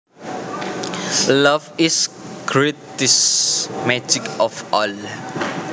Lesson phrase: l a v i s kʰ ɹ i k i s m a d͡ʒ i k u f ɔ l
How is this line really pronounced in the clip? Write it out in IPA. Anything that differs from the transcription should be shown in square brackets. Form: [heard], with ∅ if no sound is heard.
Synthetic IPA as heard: l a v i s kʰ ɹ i [t] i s m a d͡ʒ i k [ɔ] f ɔ l